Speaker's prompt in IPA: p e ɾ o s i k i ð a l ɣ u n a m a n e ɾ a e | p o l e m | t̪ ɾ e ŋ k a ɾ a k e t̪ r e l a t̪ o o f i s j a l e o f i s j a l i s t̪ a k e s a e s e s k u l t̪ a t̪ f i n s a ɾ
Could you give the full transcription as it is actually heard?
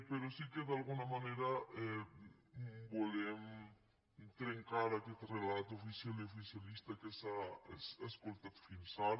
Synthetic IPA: p e ɾ o s i k e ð a l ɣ u n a m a n e ɾ a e | b o l e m | t̪ ɾ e ŋ k a ɾ a k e t̪ r e l a t̪ o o f i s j a l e o f i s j a l i s t̪ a k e s a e s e s k o l t̪ a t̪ f i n s a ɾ